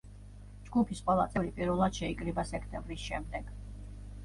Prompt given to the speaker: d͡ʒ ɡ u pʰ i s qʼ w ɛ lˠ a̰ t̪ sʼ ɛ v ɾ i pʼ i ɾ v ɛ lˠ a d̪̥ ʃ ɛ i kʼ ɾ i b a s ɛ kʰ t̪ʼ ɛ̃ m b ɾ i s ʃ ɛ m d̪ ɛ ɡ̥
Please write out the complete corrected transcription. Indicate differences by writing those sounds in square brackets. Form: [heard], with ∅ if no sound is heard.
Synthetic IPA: d͡ʒ ɡ u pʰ i s qʼ w ɛ lˠ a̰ t̪ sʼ ɛ v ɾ i pʼ i ɾ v ɛ lˠ a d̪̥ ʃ ɛ i kʼ ɾ i b a s ɛ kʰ t̪ʼ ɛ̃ m b ɾ i s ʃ ɛ m d̪ ɛ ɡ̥